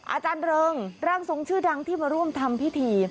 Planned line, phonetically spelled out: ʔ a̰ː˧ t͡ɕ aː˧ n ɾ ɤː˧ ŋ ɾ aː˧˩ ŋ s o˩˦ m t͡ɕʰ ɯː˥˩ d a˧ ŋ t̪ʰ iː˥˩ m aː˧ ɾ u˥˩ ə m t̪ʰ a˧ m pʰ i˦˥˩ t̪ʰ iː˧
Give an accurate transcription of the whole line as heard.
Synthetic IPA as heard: ʔ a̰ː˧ t͡ɕ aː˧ n ɾ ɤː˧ ŋ ɾ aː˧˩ ŋ s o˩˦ ŋ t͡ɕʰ ɯː˥˩ d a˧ ŋ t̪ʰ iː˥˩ m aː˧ ɾ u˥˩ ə m t̪ʰ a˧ m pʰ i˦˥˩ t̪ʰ iː˧

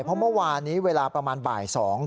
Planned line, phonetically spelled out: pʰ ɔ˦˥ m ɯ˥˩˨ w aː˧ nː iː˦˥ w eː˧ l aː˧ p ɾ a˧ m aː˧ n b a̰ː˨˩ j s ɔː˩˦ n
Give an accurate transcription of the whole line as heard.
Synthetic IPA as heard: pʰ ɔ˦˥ m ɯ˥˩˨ w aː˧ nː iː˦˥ w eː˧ l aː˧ p ɾ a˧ m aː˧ n b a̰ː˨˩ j s ɔː˩˦ ŋ

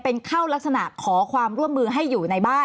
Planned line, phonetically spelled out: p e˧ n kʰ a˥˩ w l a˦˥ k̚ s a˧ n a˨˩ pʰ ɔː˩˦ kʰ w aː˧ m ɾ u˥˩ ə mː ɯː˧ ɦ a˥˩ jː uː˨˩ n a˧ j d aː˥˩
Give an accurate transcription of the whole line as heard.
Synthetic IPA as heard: p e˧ n kʰ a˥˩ w l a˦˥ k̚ s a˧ n a˨˩ kʰ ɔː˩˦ kʰ w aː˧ m ɾ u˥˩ ə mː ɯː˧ ɦ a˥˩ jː uː˨˩ n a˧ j b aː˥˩

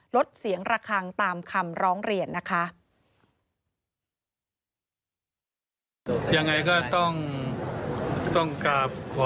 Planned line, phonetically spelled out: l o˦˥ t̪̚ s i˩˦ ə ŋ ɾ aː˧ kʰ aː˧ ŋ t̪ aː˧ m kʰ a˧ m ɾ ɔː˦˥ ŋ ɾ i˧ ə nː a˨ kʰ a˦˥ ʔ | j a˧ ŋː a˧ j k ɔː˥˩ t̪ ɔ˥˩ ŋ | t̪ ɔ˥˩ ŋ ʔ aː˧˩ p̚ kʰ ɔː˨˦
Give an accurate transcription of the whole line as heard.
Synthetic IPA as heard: l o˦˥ t̪̚ s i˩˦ ə ŋ ɾ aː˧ kʰ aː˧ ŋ t̪ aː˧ m kʰ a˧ m ɾ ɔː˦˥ ŋ ɾ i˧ ə nː a˦˥ kʰ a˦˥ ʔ | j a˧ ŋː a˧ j k ɔː˥˩ t̪ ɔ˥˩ ŋ | t̪ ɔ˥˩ ŋ k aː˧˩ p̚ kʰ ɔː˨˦

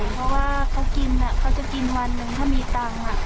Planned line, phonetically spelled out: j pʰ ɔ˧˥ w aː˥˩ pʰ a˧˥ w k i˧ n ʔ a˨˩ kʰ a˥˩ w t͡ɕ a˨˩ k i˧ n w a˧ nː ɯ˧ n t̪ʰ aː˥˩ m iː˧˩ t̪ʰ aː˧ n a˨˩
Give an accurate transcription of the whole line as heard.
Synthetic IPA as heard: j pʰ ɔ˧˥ w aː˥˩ kʰ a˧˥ w k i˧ n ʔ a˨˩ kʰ a˦˥ w t͡ɕ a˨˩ k i˧ n w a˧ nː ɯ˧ ŋ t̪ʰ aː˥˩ m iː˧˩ t̪ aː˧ ŋ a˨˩

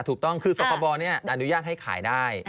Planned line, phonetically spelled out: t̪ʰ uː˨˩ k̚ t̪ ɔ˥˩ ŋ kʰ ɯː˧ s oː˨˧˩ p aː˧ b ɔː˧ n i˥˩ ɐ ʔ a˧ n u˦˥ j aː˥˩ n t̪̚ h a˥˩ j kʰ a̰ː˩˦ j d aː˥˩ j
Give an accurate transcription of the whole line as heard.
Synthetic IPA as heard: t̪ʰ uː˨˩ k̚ t̪ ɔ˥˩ ŋ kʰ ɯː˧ s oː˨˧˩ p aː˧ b ɔː˧ n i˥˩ ɐ ʔ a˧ n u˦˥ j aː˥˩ t̪̚ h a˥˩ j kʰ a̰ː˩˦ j d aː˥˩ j

